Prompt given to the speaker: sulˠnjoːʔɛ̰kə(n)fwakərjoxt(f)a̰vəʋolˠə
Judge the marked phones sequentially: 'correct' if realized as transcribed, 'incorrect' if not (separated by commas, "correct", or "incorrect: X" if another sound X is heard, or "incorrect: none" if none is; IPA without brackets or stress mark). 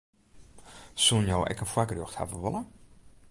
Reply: correct, incorrect: h